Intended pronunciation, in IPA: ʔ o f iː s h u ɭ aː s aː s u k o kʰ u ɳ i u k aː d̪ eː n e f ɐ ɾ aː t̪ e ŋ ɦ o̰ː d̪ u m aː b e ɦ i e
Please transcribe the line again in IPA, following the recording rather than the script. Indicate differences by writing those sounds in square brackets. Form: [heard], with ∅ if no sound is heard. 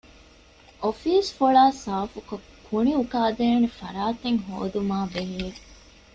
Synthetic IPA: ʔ o f iː s [f] u ɭ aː s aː [f] u k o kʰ u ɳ i u k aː d̪ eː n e f ɐ ɾ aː t̪ e ŋ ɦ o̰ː d̪ u m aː b e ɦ i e

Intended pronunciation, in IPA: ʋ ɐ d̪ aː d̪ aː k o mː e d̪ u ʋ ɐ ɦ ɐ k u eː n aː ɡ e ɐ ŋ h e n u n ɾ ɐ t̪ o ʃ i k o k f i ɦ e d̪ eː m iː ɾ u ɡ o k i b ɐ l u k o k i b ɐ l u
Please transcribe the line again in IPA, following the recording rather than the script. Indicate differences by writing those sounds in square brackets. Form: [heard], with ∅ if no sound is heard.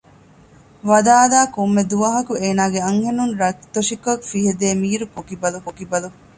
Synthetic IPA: ʋ ɐ d̪ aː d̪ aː k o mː e d̪ u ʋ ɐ ɦ ɐ k u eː n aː ɡ e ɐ ŋ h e n u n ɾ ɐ t̪ o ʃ i k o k f i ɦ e d̪ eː m iː ɾ u [k] o k i b ɐ l u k o k i b ɐ l u

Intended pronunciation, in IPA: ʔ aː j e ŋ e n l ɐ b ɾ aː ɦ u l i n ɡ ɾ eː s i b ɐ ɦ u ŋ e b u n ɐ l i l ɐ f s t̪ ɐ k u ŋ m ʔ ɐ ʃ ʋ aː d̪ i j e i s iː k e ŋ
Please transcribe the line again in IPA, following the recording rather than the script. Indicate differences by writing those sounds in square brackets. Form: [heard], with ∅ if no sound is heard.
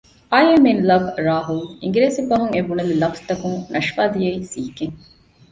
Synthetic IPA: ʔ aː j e [m] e n l ɐ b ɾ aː ɦ u l i [ŋ] ɡ ɾ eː s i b ɐ ɦ u ŋ e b u n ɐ l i l ɐ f s t̪ ɐ k u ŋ [n] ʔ ɐ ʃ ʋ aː d̪ i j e i s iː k e ŋ

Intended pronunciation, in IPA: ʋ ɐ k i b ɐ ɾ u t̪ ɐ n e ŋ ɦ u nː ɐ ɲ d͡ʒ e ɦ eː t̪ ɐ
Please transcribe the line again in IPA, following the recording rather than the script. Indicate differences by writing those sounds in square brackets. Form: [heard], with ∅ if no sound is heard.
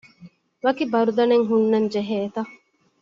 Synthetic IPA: ʋ ɐ k i b ɐ ɾ u [d̪] ɐ n e ŋ ɦ u nː ɐ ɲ d͡ʒ e ɦ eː t̪ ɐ

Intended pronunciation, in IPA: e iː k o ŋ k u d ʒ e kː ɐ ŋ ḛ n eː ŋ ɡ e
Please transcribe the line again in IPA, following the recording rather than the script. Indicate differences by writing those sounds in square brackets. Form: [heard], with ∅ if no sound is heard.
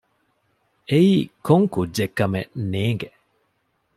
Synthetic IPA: e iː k o ŋ k u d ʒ e kː ɐ [m] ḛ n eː ŋ ɡ e

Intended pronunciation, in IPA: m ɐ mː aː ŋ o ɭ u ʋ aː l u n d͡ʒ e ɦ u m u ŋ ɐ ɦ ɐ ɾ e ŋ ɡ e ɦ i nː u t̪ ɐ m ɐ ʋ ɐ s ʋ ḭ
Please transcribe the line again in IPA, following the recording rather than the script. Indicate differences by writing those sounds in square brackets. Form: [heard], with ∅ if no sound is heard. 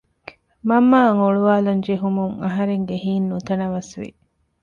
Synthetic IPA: m ɐ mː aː ŋ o ɭ u ʋ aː l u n d͡ʒ e ɦ u m u ŋ ɐ ɦ ɐ ɾ e ŋ ɡ e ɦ [iː] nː u t̪ ɐ [n] ɐ ʋ ɐ s ʋ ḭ

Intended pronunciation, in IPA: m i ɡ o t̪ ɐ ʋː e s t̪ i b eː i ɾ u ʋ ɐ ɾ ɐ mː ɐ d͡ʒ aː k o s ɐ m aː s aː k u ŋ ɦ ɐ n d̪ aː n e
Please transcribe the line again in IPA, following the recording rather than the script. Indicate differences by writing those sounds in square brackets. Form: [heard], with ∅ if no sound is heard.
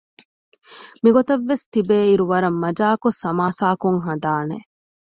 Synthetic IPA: m i ɡ o t̪ ɐ ʋː e s t̪ i b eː i ɾ u ʋ ɐ ɾ ɐ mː ɐ d͡ʒ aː k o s ɐ m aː s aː k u ŋ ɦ ɐ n d̪ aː n e

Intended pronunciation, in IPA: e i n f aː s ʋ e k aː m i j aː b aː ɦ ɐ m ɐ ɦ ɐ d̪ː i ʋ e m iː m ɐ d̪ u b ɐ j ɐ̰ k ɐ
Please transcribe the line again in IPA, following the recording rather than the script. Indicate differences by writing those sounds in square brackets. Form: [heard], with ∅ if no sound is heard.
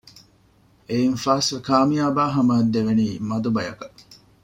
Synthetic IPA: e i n f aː s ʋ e k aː m i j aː b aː ɦ ɐ m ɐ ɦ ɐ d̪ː [e] ʋ e [n] iː m ɐ d̪ u b ɐ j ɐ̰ k ɐ

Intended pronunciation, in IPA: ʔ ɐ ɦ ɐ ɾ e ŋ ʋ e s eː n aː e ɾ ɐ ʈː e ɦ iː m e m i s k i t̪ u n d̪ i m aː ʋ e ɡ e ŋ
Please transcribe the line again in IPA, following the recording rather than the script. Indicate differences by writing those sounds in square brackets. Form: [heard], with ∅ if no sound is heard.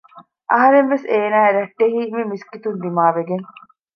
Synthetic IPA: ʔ ɐ ɦ ɐ ɾ e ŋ ʋ e s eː n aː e ɾ ɐ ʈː e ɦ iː m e m i s k i t̪ u n d̪ i m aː ʋ e ɡ e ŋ

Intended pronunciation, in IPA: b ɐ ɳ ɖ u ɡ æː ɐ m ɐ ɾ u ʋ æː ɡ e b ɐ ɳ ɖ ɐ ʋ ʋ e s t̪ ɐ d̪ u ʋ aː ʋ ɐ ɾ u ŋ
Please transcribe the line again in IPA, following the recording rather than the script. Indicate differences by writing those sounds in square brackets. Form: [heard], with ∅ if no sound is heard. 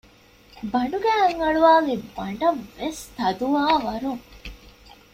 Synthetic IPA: b ɐ ɳ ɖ u ɡ æː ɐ [ŋ] ɐ [ɭ] u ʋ [aː] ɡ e b ɐ ɳ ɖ ɐ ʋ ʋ e s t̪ ɐ d̪ u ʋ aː ʋ ɐ ɾ u ŋ

